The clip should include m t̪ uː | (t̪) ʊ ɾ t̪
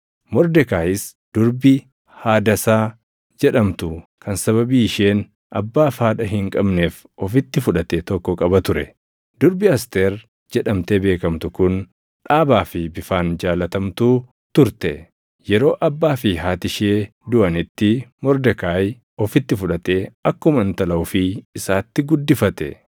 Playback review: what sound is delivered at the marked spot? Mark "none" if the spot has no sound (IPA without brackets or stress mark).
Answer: t̪